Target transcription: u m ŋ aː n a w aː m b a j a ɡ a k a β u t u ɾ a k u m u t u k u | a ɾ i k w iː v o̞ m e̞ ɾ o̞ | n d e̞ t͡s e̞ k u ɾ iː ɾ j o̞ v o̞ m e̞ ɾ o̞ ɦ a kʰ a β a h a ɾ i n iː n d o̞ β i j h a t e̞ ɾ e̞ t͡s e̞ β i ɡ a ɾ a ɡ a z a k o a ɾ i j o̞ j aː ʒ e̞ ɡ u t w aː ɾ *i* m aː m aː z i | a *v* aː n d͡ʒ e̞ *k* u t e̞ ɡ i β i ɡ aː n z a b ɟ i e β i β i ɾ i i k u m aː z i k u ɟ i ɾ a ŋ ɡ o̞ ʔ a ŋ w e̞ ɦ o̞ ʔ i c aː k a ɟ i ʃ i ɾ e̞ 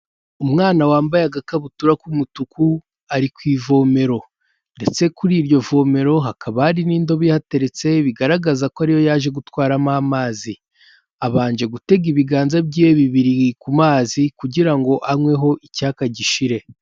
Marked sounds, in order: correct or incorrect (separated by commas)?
incorrect, incorrect, incorrect